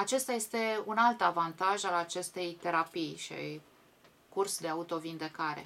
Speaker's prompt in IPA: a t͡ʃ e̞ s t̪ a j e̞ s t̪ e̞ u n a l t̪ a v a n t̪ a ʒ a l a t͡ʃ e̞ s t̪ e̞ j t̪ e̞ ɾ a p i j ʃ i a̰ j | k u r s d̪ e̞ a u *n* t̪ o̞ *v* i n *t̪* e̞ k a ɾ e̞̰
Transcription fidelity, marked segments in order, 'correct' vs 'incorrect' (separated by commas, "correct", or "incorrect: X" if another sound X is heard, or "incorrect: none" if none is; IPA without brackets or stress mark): incorrect: none, correct, incorrect: d̪